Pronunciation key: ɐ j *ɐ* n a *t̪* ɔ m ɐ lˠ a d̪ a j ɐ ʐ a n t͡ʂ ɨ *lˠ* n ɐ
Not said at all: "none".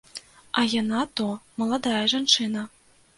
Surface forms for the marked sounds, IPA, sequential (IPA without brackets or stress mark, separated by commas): a, t̪, none